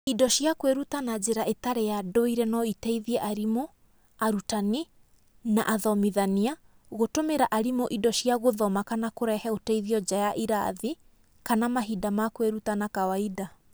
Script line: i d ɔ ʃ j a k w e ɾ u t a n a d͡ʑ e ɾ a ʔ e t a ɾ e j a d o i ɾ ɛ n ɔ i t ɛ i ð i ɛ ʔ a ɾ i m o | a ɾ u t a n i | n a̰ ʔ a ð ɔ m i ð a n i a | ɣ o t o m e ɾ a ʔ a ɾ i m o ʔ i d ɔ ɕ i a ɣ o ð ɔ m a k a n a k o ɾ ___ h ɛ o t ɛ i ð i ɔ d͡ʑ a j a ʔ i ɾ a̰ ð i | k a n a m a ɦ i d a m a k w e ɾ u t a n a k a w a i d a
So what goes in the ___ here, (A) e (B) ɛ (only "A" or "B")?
B